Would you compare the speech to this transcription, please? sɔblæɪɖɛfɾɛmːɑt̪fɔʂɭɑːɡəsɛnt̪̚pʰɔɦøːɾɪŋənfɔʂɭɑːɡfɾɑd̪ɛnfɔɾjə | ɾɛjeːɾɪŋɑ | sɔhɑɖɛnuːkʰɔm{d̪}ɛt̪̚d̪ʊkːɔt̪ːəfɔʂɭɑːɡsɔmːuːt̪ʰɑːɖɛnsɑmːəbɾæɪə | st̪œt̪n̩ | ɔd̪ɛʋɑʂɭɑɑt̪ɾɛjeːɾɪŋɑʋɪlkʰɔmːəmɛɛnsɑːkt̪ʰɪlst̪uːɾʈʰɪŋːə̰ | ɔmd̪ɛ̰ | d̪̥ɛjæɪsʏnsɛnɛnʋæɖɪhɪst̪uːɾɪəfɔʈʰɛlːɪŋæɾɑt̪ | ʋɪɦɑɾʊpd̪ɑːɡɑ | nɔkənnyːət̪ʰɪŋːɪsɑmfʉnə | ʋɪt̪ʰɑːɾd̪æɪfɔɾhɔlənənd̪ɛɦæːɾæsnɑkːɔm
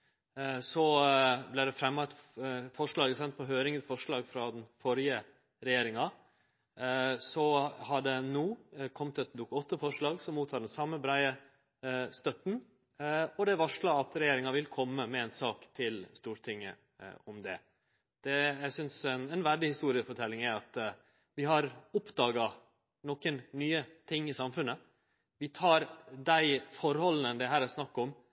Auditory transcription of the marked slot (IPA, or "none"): t̪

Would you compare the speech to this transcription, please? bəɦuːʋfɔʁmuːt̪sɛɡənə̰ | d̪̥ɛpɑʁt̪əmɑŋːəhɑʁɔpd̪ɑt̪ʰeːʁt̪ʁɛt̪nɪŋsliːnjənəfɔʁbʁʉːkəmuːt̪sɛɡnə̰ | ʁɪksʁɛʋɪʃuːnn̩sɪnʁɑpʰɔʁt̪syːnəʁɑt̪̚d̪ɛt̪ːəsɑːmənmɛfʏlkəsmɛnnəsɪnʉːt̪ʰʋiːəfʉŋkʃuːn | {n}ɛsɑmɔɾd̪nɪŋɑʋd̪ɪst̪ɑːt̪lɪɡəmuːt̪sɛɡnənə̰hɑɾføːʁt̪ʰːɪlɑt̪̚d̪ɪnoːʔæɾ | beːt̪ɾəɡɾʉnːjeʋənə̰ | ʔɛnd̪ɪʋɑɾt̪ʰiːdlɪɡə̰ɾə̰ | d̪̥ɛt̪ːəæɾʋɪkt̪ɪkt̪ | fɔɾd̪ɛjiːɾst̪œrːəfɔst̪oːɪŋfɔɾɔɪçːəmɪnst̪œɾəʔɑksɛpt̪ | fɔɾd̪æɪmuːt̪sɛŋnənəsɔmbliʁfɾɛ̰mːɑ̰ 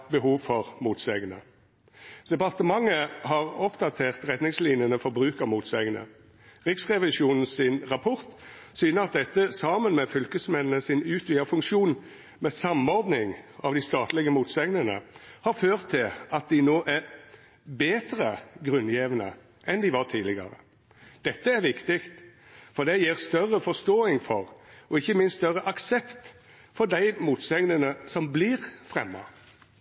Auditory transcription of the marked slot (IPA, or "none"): m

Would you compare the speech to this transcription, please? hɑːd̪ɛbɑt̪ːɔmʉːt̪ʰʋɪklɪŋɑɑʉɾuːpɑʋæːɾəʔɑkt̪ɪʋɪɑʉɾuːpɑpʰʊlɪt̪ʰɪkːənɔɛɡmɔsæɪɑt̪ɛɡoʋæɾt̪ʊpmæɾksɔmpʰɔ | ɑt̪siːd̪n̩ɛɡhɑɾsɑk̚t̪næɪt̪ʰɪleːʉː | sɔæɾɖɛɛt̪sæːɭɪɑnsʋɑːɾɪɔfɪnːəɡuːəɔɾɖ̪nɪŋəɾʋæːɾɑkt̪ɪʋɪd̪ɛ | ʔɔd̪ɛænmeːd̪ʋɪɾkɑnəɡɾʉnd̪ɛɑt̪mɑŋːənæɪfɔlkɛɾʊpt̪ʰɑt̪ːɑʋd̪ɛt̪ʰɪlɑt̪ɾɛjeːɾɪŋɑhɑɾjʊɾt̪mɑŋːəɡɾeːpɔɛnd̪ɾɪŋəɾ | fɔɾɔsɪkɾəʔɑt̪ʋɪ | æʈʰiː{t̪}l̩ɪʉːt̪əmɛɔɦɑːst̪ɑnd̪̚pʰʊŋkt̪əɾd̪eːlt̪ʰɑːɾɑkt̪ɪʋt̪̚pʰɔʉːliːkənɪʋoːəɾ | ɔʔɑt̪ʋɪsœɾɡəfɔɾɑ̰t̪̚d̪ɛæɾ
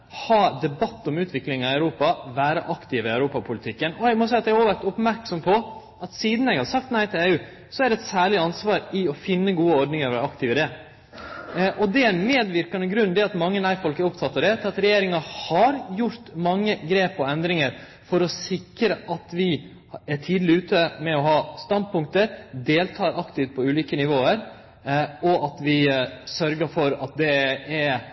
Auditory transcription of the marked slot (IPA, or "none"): d̪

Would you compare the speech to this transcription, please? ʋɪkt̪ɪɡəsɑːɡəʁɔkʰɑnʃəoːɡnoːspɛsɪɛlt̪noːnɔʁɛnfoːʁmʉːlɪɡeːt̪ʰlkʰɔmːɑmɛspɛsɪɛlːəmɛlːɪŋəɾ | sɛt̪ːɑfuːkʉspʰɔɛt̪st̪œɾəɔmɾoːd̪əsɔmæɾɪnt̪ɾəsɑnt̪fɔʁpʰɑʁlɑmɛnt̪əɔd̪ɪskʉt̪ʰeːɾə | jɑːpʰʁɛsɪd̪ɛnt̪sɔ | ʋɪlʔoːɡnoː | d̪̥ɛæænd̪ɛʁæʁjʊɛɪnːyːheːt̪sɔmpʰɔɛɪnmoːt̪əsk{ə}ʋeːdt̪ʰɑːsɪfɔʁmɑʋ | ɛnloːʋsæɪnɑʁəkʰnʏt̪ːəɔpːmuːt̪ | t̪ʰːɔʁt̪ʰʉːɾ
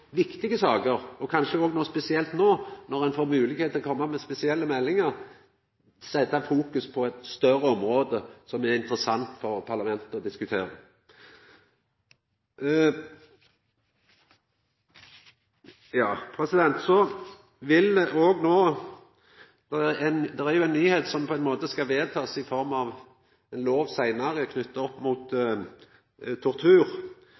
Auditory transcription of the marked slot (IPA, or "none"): ɑ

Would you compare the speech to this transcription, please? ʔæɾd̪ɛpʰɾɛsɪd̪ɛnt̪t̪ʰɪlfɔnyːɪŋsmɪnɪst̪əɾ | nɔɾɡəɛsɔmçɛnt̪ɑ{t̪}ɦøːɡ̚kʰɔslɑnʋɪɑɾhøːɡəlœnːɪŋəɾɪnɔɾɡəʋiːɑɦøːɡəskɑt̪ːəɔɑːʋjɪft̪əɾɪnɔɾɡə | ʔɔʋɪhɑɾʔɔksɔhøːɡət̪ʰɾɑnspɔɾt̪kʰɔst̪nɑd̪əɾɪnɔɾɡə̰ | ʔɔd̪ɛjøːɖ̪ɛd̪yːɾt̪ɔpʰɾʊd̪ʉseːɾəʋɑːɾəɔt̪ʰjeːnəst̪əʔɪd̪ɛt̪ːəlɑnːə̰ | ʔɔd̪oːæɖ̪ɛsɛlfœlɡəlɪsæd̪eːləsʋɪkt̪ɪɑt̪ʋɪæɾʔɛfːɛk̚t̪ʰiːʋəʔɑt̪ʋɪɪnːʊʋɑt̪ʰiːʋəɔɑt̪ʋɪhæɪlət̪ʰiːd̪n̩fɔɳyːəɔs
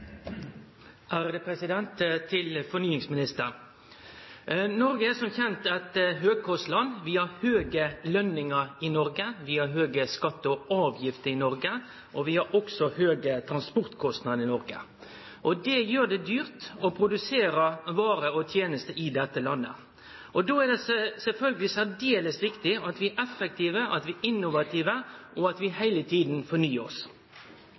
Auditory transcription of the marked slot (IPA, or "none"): t̪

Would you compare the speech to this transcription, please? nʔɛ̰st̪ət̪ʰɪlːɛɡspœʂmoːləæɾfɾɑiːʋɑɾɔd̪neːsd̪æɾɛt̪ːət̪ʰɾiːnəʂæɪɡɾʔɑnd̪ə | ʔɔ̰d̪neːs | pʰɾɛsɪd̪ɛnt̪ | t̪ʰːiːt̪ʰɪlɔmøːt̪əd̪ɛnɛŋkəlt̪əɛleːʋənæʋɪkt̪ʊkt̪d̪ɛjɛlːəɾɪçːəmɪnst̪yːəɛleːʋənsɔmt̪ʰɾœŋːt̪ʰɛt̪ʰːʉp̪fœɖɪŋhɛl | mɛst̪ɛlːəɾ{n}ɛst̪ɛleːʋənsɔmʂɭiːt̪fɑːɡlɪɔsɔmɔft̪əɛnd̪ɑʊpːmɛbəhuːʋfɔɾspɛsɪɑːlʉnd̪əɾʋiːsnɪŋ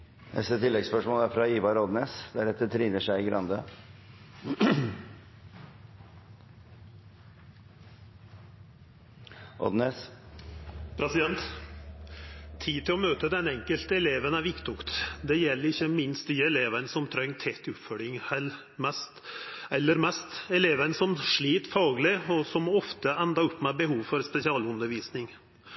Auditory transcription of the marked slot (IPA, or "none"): m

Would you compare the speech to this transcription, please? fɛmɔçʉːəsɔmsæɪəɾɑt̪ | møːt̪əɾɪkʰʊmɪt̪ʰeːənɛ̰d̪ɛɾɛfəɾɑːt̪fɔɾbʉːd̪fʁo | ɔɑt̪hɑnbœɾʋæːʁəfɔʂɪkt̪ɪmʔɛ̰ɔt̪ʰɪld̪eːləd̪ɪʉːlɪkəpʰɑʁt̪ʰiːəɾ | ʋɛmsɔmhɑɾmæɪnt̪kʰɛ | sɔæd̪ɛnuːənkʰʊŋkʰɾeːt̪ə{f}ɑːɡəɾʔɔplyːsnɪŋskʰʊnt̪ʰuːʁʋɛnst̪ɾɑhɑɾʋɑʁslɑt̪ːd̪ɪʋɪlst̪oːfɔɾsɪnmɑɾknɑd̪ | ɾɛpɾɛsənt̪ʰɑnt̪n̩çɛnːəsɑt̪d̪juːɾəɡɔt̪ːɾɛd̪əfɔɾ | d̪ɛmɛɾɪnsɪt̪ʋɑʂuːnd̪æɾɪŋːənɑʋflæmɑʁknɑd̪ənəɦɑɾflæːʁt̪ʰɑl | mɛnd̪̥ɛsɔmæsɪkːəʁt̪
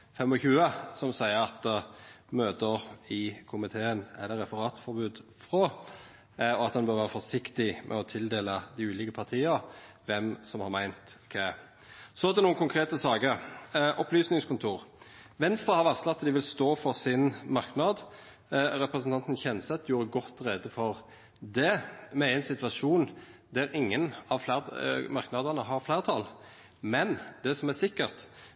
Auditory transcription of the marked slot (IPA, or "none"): s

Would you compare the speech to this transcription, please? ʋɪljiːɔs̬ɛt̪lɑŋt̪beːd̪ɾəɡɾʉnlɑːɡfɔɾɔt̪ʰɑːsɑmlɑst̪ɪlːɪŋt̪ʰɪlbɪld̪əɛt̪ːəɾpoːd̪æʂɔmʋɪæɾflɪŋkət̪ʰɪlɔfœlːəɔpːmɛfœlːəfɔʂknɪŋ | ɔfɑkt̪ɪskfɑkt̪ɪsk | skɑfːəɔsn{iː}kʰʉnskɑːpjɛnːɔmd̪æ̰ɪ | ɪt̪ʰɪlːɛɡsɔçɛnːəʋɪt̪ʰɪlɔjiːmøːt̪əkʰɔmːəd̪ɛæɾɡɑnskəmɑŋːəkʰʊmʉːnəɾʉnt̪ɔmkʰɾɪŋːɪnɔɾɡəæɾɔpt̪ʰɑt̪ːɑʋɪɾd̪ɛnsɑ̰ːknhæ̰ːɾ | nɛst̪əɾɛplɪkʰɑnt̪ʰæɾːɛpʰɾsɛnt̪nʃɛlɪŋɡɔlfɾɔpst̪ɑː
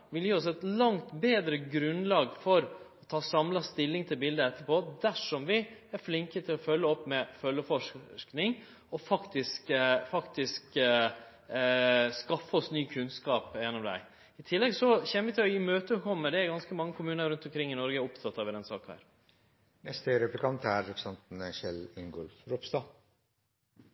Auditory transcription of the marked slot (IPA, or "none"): yː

